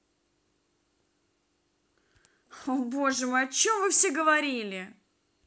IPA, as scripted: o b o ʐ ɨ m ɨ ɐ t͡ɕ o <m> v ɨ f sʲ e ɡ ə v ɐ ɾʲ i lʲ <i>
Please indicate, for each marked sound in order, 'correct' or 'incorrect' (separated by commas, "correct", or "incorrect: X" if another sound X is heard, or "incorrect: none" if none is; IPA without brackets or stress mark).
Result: correct, incorrect: ɪ